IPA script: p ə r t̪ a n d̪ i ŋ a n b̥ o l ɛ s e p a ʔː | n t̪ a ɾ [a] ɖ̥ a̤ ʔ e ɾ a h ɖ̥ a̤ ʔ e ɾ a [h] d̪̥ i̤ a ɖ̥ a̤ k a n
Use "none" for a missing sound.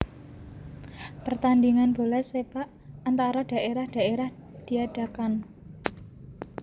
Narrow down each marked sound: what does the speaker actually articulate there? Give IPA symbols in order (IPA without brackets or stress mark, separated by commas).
a, h